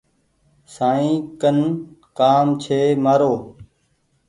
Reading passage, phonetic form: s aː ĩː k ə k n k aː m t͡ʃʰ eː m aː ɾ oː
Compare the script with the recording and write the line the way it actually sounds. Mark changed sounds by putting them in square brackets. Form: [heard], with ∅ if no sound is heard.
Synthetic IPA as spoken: s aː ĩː k ə [∅] n k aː m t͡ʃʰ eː m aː ɾ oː